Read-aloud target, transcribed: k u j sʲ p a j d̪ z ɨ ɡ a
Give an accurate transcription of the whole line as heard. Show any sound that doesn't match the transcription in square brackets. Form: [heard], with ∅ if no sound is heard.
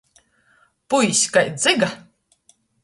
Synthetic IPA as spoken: [p] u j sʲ [k] a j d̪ z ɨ ɡ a